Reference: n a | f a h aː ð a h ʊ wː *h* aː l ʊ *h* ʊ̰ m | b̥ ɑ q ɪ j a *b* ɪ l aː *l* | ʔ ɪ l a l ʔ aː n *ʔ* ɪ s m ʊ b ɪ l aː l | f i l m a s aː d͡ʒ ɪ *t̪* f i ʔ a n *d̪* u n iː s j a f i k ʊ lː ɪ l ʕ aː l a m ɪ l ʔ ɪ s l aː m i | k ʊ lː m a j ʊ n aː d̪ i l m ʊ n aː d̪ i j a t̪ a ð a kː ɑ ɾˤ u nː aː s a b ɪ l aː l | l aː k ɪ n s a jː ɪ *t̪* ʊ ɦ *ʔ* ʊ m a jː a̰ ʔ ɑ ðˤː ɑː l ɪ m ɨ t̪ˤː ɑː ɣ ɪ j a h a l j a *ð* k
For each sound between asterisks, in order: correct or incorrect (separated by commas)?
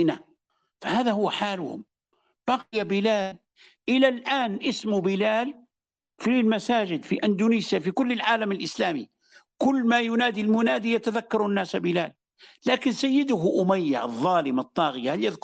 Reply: incorrect, correct, correct, correct, correct, incorrect, correct, incorrect, correct, correct